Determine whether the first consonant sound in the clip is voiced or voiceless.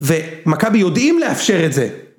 voiced